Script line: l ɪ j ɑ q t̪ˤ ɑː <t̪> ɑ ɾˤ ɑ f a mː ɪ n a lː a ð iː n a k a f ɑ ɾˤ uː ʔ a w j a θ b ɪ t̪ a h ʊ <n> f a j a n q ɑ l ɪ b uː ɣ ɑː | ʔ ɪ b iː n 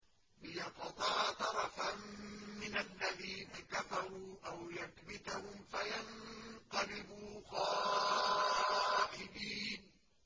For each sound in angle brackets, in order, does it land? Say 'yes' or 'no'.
yes, no

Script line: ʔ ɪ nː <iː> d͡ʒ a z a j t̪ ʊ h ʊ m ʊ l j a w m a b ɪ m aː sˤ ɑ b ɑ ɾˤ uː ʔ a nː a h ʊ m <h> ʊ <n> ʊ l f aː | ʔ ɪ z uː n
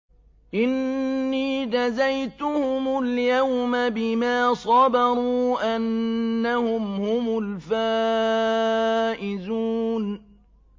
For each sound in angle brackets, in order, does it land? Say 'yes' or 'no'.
yes, yes, no

